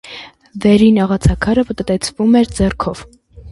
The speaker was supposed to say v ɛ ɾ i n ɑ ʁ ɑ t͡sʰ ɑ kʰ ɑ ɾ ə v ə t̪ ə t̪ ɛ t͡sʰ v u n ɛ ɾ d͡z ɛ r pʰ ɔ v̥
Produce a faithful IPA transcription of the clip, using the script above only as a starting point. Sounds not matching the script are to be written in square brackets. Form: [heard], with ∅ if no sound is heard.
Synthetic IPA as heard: v ɛ ɾ i n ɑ ʁ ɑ t͡sʰ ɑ kʰ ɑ ɾ ə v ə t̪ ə t̪ ɛ t͡sʰ v u [m] ɛ ɾ d͡z ɛ r [kʰ] ɔ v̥